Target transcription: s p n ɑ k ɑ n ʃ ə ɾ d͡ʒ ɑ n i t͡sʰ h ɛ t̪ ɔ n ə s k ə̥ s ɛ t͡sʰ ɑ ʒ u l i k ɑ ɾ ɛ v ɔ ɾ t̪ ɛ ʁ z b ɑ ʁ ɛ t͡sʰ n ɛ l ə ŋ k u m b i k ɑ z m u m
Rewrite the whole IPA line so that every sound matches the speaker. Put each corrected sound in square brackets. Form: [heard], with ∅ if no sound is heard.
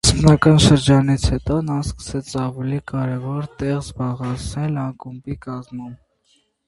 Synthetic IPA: s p n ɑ k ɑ n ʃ ə ɾ d͡ʒ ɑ n i t͡sʰ h ɛ t̪ ɔ n [ɑ] s k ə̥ s ɛ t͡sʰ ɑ [v] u l i k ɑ ɾ ɛ v ɔ ɾ t̪ ɛ ʁ z b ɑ ʁ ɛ t͡sʰ n ɛ l [ɑ] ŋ k u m b i k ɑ z m u m